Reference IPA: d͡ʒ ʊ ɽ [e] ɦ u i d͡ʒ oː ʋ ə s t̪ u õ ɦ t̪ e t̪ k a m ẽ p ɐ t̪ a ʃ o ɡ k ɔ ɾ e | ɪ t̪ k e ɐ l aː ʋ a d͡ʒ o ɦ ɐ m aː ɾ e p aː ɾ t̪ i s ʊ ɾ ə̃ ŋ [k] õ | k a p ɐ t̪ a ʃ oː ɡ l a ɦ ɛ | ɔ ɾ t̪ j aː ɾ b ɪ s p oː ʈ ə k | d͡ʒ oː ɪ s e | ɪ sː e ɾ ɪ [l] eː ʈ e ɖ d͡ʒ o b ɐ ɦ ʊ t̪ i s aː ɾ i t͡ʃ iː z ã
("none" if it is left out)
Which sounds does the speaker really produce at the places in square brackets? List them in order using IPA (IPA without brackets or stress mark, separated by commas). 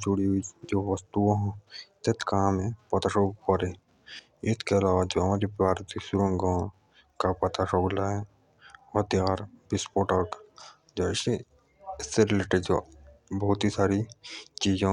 i, ɡ, l